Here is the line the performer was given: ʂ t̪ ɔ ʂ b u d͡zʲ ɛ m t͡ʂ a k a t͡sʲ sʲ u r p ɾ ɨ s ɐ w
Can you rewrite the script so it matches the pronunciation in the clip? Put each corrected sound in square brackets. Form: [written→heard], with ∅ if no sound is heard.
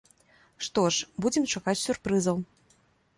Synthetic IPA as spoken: ʂ t̪ ɔ ʂ b u d͡zʲ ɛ m t͡ʂ a k a t͡sʲ sʲ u r p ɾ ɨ [s→z] ɐ w